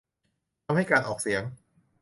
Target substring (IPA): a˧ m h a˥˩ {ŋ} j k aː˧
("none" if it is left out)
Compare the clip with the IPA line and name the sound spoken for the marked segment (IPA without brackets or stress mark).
none